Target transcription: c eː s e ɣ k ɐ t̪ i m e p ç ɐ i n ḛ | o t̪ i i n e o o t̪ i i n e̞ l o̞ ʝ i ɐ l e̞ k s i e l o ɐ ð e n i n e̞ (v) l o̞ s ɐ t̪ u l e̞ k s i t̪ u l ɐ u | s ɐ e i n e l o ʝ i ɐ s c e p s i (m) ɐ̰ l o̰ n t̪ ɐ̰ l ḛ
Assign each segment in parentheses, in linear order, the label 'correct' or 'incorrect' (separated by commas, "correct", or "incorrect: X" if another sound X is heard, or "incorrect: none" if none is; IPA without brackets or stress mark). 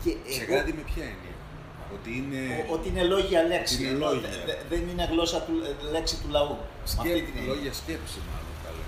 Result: incorrect: ɣ, correct